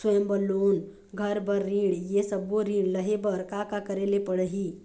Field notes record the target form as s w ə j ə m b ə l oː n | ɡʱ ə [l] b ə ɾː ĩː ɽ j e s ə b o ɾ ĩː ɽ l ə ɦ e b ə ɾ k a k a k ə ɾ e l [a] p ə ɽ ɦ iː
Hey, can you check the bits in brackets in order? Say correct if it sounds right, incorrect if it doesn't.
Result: incorrect, incorrect

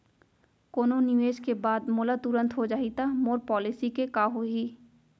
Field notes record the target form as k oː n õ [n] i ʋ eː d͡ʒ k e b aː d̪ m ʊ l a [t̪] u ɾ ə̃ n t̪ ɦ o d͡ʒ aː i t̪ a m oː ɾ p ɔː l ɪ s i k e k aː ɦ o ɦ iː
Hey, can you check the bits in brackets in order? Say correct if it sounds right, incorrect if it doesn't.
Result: correct, correct

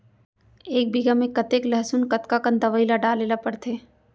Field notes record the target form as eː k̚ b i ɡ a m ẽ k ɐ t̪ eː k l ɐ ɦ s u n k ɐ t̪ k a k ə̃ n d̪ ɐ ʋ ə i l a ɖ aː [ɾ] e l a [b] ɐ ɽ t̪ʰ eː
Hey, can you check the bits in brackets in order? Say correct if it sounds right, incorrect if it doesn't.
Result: incorrect, incorrect

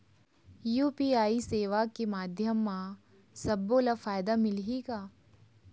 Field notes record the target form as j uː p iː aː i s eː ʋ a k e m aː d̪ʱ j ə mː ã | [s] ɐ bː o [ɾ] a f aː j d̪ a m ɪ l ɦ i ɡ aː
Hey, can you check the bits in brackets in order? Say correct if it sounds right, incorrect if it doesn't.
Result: correct, incorrect

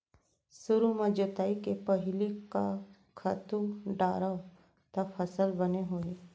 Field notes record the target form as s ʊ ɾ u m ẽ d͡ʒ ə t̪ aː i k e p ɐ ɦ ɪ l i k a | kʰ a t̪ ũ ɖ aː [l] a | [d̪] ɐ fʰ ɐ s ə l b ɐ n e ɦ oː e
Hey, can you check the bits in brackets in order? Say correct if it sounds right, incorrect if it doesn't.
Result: incorrect, incorrect

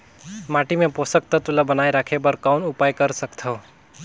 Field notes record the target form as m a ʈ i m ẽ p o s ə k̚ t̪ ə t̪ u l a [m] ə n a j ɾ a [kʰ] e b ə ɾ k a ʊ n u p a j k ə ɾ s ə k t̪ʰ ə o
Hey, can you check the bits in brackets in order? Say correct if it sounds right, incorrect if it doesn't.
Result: incorrect, correct

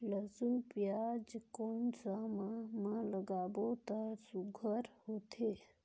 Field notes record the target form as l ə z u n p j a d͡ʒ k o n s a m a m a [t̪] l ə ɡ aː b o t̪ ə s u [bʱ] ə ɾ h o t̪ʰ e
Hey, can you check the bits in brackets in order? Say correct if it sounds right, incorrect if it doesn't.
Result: incorrect, incorrect

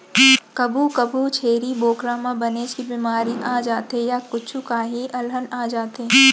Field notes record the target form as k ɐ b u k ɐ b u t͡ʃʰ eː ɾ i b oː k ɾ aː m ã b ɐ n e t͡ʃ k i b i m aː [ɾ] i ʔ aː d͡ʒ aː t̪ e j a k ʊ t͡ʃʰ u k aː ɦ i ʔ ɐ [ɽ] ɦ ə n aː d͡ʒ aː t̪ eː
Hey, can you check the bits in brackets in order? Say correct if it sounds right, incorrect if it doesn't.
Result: correct, incorrect

